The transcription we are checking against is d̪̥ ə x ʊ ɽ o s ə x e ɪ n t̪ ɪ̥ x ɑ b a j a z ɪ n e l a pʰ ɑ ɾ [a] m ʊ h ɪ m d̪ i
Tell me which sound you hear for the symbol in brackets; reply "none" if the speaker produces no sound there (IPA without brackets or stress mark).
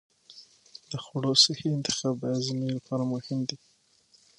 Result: a